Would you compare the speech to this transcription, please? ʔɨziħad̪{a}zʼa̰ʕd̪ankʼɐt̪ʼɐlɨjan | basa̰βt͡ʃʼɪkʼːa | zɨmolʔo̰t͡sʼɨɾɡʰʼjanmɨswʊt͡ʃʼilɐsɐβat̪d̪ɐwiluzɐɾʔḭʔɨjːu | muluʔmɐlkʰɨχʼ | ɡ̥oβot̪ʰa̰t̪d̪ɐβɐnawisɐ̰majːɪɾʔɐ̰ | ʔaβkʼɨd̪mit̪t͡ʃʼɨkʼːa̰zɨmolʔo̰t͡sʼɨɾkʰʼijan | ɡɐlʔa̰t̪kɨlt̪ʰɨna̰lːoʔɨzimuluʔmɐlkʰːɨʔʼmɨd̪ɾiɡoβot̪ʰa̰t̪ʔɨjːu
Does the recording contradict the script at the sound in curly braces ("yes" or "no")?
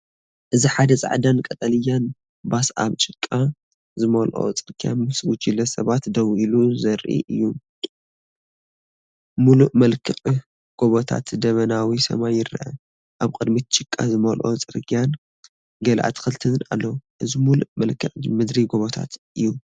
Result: yes